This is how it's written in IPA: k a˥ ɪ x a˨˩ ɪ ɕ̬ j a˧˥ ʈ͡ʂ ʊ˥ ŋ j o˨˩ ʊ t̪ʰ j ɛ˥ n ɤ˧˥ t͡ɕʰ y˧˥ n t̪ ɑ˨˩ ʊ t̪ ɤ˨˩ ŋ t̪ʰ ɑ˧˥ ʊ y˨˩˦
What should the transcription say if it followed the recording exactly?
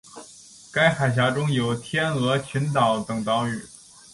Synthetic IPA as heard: k a˥ ɪ x a˨˩ ɪ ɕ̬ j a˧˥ ʈ͡ʂ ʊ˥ ŋ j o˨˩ ʊ t̪ʰ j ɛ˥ n ɤ˧˥ t͡ɕʰ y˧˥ n t̪ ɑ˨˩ ʊ t̪ ɤ˨˩ ŋ t̪ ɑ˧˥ ʊ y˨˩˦